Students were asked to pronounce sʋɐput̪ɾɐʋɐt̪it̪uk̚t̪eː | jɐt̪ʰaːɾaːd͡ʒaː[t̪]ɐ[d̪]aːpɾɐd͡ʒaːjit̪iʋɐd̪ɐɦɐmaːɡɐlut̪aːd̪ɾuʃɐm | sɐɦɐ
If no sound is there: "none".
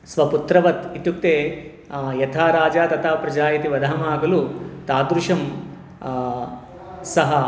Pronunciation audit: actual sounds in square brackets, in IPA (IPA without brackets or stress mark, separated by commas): t̪, t̪